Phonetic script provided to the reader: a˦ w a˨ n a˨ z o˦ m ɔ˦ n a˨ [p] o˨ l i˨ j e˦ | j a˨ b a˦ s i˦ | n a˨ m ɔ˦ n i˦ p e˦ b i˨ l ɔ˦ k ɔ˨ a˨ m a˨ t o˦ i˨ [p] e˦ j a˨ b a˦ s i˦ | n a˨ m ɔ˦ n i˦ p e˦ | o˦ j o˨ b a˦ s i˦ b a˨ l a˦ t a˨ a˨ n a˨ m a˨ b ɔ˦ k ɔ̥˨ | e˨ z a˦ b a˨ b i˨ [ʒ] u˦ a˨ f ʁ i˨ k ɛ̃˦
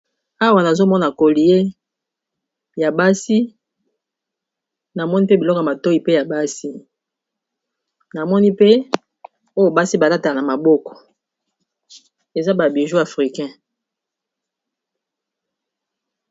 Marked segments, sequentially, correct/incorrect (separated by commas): incorrect, correct, correct